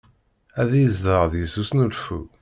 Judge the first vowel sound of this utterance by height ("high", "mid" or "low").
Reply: low